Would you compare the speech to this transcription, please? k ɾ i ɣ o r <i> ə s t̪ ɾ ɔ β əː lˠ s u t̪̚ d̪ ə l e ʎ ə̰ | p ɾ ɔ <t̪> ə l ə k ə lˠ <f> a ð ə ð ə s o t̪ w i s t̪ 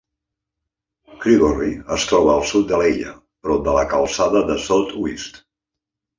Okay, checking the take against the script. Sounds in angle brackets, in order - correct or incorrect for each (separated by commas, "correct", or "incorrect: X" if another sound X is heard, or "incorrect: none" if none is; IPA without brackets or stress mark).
correct, incorrect: d̪, incorrect: s